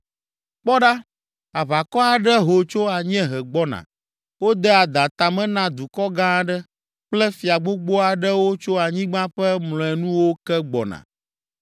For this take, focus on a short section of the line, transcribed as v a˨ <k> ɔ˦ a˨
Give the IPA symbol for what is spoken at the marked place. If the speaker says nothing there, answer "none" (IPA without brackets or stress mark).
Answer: k